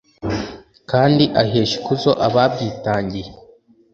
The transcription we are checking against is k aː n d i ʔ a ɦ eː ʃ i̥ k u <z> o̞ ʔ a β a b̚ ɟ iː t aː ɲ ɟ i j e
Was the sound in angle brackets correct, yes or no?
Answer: yes